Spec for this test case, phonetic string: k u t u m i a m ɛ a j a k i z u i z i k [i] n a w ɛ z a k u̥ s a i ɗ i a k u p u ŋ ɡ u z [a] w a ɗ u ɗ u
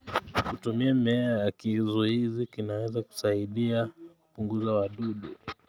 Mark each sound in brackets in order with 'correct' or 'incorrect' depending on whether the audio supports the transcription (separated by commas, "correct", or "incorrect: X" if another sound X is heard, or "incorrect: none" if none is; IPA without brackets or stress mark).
correct, correct